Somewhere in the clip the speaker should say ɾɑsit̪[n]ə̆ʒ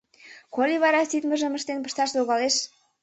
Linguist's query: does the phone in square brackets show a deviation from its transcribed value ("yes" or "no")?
yes